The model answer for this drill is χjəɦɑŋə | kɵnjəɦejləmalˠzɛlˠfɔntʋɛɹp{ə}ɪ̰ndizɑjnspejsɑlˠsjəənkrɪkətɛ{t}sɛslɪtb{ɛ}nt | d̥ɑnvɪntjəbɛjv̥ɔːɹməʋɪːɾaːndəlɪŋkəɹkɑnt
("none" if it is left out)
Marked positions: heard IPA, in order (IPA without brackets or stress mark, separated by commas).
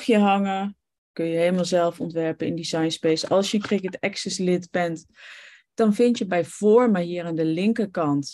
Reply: ə, k, ɛ